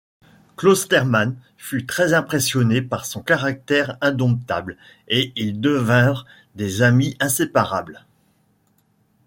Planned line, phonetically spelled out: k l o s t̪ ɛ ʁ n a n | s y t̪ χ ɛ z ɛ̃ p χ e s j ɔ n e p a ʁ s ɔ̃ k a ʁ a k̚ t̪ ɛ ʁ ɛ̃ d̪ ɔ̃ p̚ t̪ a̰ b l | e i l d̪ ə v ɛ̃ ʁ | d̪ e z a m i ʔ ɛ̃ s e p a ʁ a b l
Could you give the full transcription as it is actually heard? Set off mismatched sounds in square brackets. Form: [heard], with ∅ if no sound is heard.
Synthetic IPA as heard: k l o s t̪ ɛ ʁ [m] a n | [f] y t̪ χ ɛ z ɛ̃ p χ e s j ɔ n e p a ʁ s ɔ̃ k a ʁ a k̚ t̪ ɛ ʁ ɛ̃ d̪ ɔ̃ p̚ t̪ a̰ b l | e i l d̪ ə v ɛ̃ ʁ | d̪ e z a m i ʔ ɛ̃ s e p a ʁ a b l

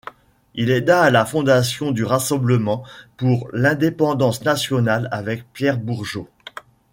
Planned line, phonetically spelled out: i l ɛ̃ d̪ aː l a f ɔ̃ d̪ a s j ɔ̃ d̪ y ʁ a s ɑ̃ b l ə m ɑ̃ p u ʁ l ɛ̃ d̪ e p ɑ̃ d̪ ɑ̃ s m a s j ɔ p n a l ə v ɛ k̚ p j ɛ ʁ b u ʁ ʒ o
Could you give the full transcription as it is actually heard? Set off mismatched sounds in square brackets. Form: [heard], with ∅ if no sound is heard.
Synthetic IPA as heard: i l [ɛ] d̪ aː l a f ɔ̃ d̪ a s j ɔ̃ d̪ y ʁ a s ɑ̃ b l ə m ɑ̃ p u ʁ l ɛ̃ d̪ e p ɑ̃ d̪ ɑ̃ s [n] a s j ɔ [∅] n a l [a] v ɛ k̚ p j ɛ ʁ b u ʁ ʒ o

